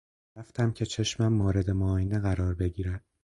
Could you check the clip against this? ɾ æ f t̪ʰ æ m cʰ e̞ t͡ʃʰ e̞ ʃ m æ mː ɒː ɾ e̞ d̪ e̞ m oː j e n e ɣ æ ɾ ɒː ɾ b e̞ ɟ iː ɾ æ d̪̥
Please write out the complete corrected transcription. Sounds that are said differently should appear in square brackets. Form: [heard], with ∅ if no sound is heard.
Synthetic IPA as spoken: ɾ æ f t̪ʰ æ m cʰ e̞ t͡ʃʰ e̞ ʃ m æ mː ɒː ɾ e̞ d̪ e̞ m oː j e n e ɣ æ ɾ ɒː ɾ b e̞ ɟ iː ɾ æ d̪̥